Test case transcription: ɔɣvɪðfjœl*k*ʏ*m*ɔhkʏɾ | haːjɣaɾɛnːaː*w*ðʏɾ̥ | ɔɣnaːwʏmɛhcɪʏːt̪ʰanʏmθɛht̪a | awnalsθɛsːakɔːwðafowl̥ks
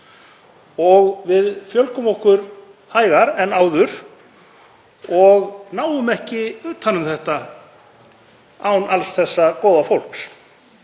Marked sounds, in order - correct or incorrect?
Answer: correct, correct, correct

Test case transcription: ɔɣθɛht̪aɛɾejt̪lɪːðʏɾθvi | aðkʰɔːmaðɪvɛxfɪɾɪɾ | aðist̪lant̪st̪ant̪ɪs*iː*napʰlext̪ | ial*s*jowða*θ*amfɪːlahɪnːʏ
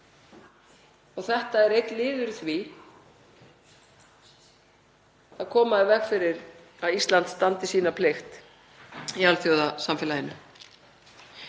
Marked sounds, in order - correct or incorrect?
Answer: correct, incorrect: θ, incorrect: s

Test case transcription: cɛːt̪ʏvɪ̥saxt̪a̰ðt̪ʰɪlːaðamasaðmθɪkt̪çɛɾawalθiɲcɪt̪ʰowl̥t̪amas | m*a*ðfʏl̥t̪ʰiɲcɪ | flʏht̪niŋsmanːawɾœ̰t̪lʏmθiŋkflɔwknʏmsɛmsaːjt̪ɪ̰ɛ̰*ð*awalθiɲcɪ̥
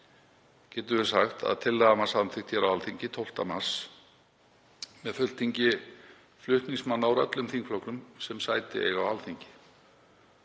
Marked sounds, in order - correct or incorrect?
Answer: incorrect: ɛ, incorrect: ɣ

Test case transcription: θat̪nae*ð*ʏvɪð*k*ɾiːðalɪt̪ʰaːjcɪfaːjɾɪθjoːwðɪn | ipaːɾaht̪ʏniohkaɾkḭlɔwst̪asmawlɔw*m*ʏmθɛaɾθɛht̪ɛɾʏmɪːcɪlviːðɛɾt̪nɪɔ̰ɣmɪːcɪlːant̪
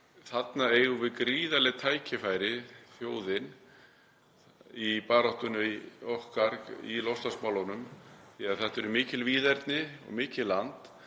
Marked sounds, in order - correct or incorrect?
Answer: incorrect: ɣ, correct, incorrect: n

